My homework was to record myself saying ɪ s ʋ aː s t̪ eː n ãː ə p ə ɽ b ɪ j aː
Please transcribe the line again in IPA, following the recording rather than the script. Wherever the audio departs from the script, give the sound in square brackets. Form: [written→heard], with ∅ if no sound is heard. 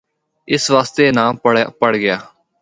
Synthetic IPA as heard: ɪ s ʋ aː s t̪ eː n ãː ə p ə ɽ [b→ɡ] ɪ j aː